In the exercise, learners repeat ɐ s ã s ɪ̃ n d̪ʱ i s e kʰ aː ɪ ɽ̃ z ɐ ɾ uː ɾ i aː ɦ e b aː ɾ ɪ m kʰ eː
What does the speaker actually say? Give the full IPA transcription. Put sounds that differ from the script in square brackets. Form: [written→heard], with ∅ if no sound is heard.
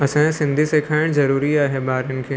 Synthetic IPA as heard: ɐ s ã s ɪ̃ n d̪ʱ i s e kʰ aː ɪ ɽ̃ z ɐ ɾ uː ɾ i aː ɦ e b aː ɾ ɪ [m→n] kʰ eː